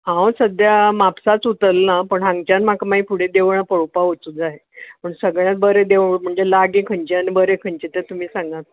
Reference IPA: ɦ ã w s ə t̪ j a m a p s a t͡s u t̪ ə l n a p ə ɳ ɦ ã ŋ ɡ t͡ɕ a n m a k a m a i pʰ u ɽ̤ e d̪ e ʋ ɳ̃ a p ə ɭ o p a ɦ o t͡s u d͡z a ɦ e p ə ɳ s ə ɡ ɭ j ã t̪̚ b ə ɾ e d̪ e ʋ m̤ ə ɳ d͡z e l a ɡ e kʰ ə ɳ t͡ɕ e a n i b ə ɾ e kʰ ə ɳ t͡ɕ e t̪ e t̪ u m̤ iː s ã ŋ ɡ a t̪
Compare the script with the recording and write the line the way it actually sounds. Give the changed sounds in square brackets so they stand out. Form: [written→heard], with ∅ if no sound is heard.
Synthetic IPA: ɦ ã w s ə [t̪→d̪] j a m a p s a t͡s u t̪ ə l n a p ə ɳ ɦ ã ŋ ɡ t͡ɕ a n m a k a m a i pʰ u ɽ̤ e d̪ e ʋ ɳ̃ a p ə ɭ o p a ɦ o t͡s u d͡z a ɦ e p ə ɳ s ə ɡ ɭ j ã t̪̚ b ə ɾ e d̪ e ʋ m̤ ə ɳ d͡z e l a ɡ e kʰ ə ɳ t͡ɕ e a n i b ə ɾ e kʰ ə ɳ t͡ɕ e t̪ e t̪ u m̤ iː s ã ŋ ɡ a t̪